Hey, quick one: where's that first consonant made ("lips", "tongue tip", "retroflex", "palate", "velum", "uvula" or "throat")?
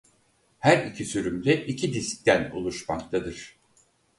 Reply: throat